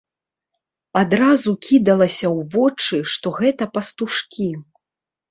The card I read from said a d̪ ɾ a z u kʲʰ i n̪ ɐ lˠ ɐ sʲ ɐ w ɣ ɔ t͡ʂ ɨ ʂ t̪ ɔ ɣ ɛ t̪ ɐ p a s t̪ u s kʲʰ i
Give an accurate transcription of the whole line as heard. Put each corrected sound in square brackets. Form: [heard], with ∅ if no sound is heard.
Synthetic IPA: a d̪ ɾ a z u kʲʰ i [d̪] ɐ lˠ ɐ sʲ ɐ w [v] ɔ t͡ʂ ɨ ʂ t̪ ɔ ɣ ɛ t̪ ɐ p [ɐ] s t̪ u [ʂ] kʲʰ i